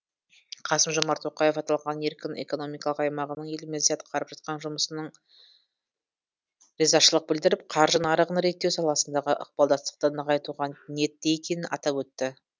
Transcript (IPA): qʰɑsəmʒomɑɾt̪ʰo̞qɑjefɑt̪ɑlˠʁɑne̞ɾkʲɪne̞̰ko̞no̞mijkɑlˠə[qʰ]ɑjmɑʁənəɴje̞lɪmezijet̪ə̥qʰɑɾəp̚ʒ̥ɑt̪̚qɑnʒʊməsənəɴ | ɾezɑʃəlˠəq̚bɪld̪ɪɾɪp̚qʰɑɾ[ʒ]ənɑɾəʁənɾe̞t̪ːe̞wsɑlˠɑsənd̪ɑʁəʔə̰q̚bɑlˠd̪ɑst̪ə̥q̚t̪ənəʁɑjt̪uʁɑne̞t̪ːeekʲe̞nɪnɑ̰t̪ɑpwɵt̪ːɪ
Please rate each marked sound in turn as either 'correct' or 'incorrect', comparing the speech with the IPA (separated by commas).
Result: incorrect, correct